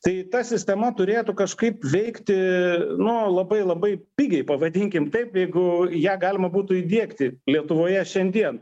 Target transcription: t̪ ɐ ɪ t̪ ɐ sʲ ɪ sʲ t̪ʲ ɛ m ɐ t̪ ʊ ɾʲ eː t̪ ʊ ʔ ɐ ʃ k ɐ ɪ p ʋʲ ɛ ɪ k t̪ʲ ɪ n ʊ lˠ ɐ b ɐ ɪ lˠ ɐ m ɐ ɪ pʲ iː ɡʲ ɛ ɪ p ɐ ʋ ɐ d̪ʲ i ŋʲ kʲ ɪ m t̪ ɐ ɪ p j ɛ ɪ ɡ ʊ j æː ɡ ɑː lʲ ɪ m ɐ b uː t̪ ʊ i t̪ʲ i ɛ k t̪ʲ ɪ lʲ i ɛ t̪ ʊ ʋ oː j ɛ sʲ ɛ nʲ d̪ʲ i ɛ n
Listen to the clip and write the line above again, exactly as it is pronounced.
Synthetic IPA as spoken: t̪ ɐ ɪ t̪ ɐ sʲ ɪ sʲ t̪ʲ ɛ m ɐ t̪ ʊ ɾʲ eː t̪ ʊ k ɐ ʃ k ɐ ɪ p ʋʲ ɛ ɪ k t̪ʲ ɪ n ʊ lˠ ɐ b ɐ ɪ lˠ ɐ b ɐ ɪ pʲ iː ɡʲ ɛ ɪ p ɐ ʋ ɐ d̪ʲ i ŋʲ kʲ ɪ m t̪ ɐ ɪ p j ɛ ɪ ɡ ʊ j æː ɡ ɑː lʲ ɪ m ɐ b uː t̪ ʊ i d̪ʲ i ɛ k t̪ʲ ɪ lʲ i ɛ t̪ ʊ ʋ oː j ɛ ʃʲ ɛ nʲ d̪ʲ i ɛ n